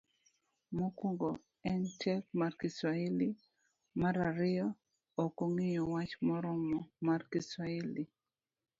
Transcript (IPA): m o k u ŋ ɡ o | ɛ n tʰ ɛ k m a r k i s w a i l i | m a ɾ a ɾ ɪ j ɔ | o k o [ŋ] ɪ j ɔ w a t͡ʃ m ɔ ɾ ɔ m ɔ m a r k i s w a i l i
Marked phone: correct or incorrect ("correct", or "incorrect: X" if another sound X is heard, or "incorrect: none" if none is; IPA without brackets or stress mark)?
correct